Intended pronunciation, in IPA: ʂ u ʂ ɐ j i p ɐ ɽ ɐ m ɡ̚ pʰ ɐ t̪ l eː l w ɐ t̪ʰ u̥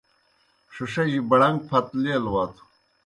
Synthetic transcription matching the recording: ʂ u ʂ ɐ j i b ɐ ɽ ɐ ŋ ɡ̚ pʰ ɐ t̪ l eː l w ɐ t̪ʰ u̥